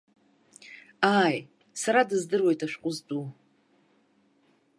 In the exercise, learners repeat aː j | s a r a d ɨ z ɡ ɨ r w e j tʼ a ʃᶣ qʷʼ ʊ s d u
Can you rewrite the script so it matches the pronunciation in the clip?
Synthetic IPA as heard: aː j | s a ɾ a d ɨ z d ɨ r w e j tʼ a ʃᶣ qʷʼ ʊ z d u